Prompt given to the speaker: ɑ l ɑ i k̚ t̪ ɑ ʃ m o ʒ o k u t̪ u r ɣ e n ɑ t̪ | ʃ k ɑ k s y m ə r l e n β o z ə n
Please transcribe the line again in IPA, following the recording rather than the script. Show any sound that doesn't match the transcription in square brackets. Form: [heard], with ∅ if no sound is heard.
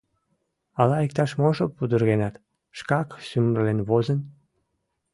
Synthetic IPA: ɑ l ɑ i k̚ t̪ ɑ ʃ m o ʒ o [p] u [d̪] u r ɣ e n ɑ t̪ | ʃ k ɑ k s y m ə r l e n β o z ə n